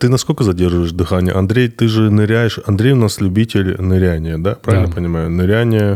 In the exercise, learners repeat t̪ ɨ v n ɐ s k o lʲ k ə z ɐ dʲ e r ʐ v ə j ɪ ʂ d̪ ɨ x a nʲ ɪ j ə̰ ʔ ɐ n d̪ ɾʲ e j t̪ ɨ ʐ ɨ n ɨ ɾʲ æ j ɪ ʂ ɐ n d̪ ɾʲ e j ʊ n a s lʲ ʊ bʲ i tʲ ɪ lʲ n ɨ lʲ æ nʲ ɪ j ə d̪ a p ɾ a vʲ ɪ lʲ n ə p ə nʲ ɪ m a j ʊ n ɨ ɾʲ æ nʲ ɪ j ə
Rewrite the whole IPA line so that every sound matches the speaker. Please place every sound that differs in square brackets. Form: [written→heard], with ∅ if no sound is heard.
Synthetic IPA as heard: t̪ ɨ [v→∅] n ɐ s k o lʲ k ə z ɐ dʲ e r ʐ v ə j ɪ ʂ d̪ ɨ x a nʲ ɪ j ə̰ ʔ ɐ n d̪ ɾʲ e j t̪ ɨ ʐ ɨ n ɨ ɾʲ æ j ɪ ʂ ɐ n d̪ ɾʲ e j ʊ n a s lʲ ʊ bʲ i tʲ ɪ lʲ n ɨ [lʲ→ɾʲ] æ nʲ ɪ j ə d̪ a p ɾ a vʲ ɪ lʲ n ə p ə nʲ ɪ m a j ʊ n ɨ ɾʲ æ nʲ ɪ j ə